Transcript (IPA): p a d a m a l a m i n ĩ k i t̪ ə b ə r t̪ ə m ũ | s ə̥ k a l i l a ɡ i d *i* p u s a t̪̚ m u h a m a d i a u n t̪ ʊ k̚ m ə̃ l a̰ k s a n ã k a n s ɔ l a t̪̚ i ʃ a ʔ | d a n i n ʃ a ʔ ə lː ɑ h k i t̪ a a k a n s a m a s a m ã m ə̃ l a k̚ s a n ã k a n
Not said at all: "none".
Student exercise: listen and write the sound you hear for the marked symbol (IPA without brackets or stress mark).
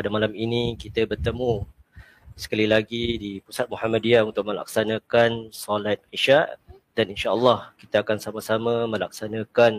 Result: i